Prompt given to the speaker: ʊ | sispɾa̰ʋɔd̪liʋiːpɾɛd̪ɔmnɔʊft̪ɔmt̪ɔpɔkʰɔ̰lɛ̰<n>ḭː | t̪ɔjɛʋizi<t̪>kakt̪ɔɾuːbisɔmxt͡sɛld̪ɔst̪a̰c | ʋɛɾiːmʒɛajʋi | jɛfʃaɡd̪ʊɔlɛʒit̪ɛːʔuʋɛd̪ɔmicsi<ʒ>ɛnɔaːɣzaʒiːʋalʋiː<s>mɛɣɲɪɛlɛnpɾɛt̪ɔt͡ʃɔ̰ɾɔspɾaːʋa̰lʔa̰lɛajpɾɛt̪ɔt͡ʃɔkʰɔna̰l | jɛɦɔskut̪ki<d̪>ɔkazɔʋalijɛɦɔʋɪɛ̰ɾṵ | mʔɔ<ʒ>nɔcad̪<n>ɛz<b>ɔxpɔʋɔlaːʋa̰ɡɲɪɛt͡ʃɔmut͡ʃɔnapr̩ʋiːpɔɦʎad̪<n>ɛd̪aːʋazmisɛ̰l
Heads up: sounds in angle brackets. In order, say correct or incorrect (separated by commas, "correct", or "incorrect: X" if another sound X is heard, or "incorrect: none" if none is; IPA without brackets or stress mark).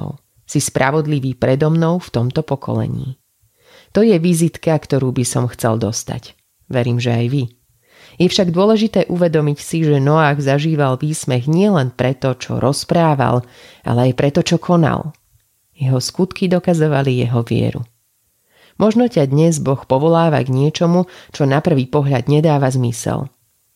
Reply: incorrect: ɲ, correct, correct, correct, correct, correct, incorrect: ɲ, correct, incorrect: ɲ